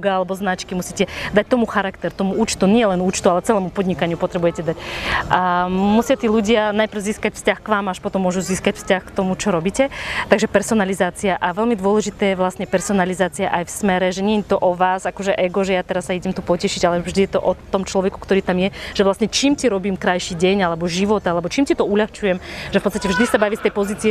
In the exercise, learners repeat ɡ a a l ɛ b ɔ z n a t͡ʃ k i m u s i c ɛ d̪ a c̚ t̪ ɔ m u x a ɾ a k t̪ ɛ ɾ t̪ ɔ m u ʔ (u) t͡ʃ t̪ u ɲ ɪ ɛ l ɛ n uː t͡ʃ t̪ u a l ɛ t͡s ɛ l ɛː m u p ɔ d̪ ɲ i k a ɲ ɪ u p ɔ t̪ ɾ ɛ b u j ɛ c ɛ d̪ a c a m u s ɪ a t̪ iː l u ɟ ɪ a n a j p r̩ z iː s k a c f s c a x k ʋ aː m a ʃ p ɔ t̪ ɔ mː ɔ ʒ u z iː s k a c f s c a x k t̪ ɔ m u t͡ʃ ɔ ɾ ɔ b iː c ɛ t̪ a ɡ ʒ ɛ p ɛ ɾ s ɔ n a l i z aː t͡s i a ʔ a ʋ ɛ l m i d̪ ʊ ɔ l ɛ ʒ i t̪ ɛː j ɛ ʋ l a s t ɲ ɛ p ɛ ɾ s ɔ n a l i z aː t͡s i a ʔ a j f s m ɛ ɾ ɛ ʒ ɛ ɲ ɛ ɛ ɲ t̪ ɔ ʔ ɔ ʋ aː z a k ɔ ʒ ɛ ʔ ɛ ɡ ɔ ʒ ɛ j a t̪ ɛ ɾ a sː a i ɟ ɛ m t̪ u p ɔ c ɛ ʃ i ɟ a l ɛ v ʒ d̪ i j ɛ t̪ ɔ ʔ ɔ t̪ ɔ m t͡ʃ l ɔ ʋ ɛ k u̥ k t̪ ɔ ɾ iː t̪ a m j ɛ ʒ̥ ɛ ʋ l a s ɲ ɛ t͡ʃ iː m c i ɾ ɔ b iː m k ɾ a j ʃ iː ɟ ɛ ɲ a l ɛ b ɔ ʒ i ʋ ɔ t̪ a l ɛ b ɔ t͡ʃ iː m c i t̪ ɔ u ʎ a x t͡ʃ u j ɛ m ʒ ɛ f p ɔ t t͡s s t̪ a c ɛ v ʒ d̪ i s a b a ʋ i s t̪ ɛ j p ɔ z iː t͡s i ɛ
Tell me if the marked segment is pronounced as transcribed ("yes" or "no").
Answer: no